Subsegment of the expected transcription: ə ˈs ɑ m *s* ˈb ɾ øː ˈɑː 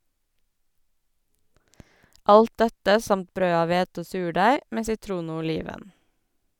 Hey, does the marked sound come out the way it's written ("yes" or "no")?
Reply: no